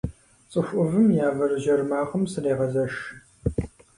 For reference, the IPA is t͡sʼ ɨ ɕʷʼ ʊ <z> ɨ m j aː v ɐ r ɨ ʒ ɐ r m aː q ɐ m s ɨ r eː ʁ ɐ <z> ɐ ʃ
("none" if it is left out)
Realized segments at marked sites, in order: v, z

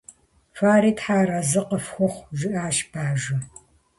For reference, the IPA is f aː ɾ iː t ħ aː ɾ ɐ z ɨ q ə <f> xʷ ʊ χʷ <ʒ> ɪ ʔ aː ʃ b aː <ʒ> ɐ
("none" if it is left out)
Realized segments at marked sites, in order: f, ʒ, ʒ

